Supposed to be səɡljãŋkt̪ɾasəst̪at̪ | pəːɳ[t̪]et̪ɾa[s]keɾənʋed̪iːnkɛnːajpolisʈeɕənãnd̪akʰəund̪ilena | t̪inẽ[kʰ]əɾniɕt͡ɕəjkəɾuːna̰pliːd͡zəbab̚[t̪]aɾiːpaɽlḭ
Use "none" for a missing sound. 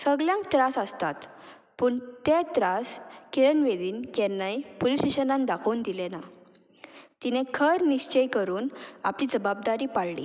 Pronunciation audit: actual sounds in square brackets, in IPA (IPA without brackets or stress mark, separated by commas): t̪, s, kʰ, d̪